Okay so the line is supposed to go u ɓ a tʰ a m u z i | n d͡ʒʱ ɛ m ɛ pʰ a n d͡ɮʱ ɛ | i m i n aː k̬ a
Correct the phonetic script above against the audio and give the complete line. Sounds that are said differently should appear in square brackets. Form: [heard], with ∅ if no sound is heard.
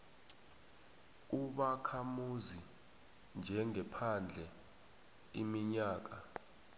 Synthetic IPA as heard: u ɓ a [kʰ] a m u z i | n d͡ʒʱ ɛ [ŋ] ɛ pʰ a n d͡ɮʱ ɛ | i m i [ɲ] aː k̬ a